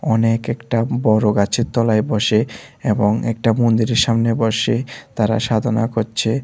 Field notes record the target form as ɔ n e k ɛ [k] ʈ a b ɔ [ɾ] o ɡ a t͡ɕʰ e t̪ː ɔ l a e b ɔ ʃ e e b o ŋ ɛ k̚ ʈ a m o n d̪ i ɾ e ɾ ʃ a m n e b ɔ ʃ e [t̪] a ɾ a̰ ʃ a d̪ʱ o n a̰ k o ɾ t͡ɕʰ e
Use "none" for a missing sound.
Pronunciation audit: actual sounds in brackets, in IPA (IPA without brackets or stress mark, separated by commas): k, ɾ, t̪